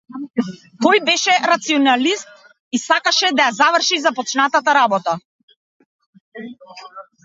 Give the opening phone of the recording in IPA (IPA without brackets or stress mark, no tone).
t̪